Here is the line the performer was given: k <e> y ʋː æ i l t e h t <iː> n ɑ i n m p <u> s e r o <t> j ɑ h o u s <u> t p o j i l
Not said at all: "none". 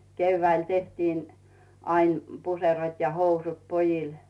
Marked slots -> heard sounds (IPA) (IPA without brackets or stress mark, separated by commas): e, iː, u, t, u